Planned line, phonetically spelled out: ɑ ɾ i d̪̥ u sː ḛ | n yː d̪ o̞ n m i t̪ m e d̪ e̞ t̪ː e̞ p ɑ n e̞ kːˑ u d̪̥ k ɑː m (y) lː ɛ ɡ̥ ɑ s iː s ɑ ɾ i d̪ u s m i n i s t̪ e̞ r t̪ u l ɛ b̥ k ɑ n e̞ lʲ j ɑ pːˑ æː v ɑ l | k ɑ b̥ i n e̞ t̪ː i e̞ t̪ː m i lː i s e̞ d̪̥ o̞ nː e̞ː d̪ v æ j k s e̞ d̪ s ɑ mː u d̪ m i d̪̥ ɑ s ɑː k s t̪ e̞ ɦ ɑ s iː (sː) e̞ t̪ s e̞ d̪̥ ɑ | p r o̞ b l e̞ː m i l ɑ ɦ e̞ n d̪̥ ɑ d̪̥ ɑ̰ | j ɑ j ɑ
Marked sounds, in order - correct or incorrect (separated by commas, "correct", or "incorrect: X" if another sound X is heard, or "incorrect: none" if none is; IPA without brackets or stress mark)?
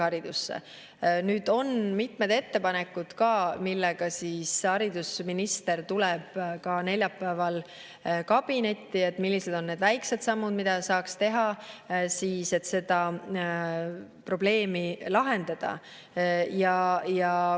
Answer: incorrect: i, incorrect: s